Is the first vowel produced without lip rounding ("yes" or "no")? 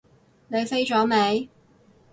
yes